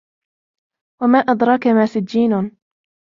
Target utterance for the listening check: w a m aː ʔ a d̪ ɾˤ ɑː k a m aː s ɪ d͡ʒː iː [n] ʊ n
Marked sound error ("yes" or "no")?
no